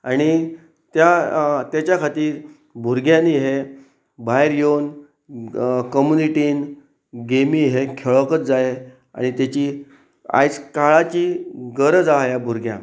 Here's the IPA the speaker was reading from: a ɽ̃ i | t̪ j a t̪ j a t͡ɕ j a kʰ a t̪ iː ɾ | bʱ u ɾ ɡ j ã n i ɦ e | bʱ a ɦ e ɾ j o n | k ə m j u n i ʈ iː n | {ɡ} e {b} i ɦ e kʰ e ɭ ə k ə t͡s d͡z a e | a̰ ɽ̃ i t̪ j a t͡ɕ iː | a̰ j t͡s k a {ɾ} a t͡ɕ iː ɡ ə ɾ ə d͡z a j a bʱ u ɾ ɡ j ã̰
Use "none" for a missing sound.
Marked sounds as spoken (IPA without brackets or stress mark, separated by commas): ɡ, m, ɭ